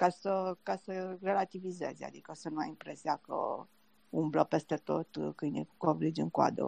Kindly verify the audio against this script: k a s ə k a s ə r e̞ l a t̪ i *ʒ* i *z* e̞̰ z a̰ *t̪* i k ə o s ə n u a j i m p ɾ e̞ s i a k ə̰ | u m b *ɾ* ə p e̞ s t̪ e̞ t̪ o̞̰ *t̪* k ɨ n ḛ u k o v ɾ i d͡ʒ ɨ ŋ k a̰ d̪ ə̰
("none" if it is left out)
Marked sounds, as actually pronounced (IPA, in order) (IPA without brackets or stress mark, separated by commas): v, z, d̪, l, t̪